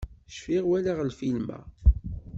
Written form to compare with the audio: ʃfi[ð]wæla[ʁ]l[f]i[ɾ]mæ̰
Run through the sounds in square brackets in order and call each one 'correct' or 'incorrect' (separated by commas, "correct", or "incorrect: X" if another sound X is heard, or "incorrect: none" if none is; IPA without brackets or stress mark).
incorrect: ʁ, correct, correct, incorrect: l